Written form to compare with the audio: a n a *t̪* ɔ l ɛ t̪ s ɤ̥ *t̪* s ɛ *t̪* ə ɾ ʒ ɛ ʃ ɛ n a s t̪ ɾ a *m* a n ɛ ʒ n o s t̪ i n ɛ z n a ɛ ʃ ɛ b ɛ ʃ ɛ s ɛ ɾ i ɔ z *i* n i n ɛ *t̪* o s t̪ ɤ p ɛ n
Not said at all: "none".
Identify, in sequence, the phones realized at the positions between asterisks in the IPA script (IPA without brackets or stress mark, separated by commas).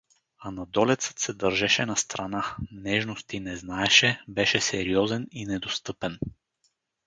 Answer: d̪, t̪, d̪, n, ɛ, d̪